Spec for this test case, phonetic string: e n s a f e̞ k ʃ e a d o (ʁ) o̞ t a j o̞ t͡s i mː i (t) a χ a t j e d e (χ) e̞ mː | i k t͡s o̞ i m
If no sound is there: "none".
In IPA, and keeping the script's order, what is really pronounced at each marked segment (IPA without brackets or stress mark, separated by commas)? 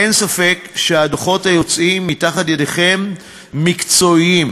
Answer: χ, t, χ